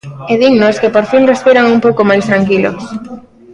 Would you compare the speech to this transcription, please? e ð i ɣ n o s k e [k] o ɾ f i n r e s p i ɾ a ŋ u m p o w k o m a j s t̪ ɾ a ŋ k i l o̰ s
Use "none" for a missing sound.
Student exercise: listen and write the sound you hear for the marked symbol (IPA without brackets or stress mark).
p